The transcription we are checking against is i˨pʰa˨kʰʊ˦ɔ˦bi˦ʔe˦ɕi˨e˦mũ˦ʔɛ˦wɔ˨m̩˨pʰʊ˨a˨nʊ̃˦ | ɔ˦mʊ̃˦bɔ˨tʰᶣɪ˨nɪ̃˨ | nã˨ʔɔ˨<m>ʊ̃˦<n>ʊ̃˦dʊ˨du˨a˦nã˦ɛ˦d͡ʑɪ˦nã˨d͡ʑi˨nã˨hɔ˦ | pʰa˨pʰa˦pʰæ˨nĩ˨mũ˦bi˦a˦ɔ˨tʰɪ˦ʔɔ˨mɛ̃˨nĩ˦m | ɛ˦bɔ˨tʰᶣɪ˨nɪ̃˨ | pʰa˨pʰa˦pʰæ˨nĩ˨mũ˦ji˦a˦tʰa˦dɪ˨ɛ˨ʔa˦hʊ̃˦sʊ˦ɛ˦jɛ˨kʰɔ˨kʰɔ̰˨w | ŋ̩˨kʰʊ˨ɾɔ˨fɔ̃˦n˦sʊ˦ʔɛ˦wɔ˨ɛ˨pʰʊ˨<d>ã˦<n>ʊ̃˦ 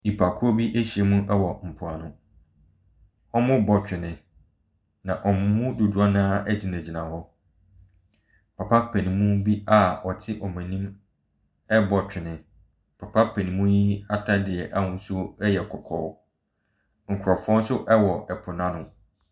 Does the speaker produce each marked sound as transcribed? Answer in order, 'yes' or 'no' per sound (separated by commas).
yes, no, no, yes